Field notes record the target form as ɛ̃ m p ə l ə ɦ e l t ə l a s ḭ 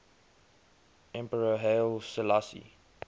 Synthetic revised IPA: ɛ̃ m p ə ɹ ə ɦ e l s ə l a s ḭ